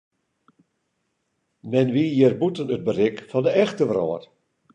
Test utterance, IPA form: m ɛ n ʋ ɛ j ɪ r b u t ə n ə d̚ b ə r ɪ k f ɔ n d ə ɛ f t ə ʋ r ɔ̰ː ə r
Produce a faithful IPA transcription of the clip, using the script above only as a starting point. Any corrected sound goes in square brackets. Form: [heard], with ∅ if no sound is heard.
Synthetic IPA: m ɛ n ʋ [i] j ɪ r b u t ə n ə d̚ b ə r ɪ k f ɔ n d ə ɛ [x] t ə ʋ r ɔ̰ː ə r